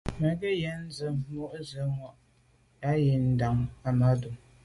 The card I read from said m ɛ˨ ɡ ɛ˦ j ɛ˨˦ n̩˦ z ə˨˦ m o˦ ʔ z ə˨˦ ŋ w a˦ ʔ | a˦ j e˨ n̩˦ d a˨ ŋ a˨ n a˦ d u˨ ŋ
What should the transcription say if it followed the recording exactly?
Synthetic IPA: m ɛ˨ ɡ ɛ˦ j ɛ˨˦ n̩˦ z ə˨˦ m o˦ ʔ z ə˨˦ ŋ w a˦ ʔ | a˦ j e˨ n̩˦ d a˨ ŋ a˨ m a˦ d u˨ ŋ